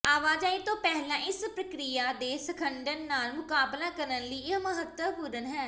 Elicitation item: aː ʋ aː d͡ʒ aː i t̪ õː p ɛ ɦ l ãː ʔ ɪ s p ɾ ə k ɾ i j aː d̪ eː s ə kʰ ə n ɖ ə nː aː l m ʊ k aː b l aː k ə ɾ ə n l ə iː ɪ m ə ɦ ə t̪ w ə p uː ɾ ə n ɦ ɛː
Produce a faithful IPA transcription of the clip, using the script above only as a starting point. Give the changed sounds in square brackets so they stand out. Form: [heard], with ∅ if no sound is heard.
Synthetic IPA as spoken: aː ʋ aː d͡ʒ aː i t̪ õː p ɛ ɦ l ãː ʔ ɪ s p ɾ ə k ɾ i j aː d̪ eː s ə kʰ ə [ɳ] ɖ ə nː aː l m ʊ k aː b l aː k ə ɾ ə n l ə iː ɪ m ə ɦ ə t̪ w ə p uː ɾ ə n ɦ ɛː